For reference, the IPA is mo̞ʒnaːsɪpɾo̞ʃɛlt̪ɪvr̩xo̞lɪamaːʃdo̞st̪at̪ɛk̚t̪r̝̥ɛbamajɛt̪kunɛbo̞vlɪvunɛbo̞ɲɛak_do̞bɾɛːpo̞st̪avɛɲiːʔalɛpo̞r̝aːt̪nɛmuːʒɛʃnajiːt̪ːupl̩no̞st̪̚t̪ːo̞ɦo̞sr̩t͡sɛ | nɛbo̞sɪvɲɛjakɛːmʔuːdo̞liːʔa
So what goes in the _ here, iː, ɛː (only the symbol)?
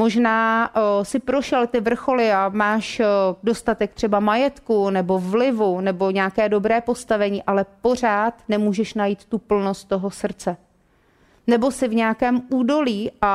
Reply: ɛː